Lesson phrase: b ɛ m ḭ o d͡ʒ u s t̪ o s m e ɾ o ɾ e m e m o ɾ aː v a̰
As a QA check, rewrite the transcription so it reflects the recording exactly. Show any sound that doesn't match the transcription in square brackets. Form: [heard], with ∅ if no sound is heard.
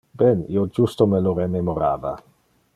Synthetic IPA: b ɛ [n] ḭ o d͡ʒ u s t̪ o [∅] m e [l] o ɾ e m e m o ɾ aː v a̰